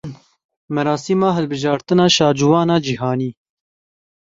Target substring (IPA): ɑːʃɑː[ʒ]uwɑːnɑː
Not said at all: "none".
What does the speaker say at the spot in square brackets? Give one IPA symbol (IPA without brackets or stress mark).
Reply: d͡ʒ